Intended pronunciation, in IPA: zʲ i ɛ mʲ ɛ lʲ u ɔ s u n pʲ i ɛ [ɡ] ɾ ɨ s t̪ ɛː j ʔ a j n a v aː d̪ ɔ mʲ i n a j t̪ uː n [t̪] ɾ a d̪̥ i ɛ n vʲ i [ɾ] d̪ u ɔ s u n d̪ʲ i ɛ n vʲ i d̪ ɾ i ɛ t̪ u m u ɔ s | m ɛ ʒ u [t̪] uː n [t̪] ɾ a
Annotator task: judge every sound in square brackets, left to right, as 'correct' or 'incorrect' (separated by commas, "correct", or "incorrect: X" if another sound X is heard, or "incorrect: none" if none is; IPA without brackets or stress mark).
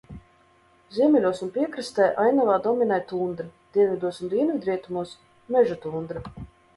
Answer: incorrect: k, incorrect: d̪, incorrect: none, correct, incorrect: d̪